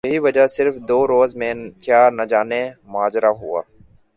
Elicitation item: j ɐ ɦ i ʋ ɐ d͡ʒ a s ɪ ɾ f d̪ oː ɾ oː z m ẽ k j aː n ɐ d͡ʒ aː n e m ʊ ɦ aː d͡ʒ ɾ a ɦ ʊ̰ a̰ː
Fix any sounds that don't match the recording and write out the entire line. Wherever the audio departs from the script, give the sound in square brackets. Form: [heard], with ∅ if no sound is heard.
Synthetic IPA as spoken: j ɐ ɦ i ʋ ɐ d͡ʒ a s ɪ ɾ f d̪ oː ɾ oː z m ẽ k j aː n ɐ d͡ʒ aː n e m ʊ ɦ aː d͡ʒ ɾ a ɦ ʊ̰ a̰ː